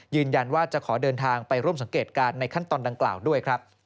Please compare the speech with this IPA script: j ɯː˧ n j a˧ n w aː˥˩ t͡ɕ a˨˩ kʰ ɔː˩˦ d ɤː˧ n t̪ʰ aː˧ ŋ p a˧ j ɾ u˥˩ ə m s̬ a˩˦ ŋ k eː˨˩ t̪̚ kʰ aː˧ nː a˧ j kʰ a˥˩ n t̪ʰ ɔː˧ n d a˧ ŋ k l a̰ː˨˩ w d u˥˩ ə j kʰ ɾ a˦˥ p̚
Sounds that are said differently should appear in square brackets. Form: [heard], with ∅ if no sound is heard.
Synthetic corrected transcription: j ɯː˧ n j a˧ n w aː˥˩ t͡ɕ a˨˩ kʰ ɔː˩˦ d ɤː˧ n t̪ʰ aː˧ ŋ p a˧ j ɾ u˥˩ ə m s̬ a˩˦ ŋ k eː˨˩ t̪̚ [k] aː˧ nː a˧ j kʰ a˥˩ n [t̪] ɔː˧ n d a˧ ŋ k l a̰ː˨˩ w d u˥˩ ə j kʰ ɾ a˦˥ p̚